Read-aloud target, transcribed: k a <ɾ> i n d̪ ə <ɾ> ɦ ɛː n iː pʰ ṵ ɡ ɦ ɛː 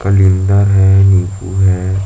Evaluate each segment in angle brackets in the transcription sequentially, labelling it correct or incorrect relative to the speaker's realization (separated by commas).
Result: incorrect, correct